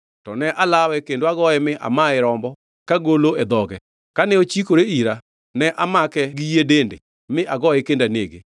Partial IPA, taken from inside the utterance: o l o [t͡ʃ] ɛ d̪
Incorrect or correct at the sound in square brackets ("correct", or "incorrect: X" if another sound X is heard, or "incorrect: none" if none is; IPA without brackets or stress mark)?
incorrect: none